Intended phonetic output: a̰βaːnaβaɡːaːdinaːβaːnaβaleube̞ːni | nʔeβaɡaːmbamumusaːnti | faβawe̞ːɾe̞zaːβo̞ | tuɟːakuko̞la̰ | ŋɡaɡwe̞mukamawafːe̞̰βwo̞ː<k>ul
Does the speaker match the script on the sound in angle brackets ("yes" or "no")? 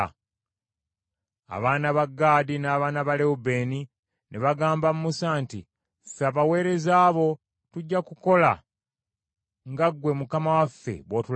no